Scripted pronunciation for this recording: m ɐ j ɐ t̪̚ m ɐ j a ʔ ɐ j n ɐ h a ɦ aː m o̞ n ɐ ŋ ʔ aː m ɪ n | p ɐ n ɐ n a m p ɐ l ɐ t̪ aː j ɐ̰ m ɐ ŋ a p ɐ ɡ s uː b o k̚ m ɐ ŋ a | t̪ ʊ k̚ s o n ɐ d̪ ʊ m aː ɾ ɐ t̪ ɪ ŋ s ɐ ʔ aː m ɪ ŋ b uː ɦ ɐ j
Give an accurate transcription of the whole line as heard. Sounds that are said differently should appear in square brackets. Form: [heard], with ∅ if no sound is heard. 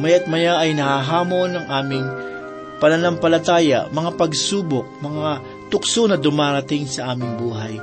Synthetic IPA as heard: m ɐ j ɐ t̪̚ m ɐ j a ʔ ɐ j n ɐ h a ɦ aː m o̞ n ɐ ŋ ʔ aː m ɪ [ŋ] | p ɐ n ɐ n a m p ɐ l ɐ t̪ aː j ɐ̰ m ɐ ŋ a p ɐ ɡ s uː b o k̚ m ɐ ŋ a | t̪ ʊ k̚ s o n ɐ d̪ ʊ m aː ɾ ɐ t̪ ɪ ŋ s ɐ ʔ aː m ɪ ŋ b uː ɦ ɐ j